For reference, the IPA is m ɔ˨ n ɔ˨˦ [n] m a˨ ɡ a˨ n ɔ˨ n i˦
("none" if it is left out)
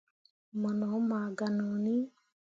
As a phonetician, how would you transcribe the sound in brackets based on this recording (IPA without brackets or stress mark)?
none